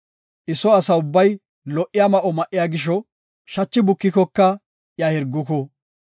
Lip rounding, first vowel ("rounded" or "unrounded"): unrounded